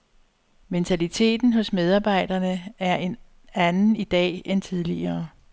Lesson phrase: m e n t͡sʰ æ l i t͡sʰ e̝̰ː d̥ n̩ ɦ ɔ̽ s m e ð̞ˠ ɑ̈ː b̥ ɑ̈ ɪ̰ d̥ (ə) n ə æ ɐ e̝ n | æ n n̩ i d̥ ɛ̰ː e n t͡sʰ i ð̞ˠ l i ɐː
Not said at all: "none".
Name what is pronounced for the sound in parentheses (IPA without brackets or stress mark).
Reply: ɐ